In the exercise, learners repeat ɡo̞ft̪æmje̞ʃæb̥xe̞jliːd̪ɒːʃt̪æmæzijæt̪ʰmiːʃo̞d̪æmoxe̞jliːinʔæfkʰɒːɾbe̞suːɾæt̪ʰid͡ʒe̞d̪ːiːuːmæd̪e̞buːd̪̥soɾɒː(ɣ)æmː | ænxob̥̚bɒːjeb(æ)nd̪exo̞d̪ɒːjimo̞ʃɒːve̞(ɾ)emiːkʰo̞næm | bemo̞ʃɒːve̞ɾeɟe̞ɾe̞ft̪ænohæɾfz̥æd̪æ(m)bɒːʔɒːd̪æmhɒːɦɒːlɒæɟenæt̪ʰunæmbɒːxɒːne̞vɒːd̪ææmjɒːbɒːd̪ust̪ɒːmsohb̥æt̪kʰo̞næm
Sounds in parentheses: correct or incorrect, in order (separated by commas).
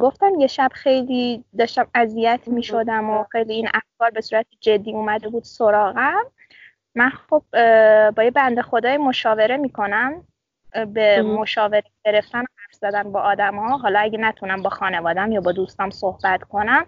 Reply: correct, correct, correct, incorrect